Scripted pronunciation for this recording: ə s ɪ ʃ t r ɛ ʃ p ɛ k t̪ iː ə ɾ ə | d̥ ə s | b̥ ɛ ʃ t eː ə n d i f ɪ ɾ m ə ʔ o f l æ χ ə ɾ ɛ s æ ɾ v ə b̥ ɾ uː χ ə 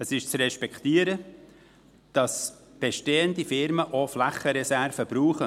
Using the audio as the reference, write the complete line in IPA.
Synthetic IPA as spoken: ə s ɪ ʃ t͡s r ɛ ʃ p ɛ k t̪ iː ə ɾ ə | d̥ ɑ s | b̥ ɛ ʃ t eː ə n d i f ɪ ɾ m ə ʔ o f l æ χ ə ɾ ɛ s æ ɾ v ə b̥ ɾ uː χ ə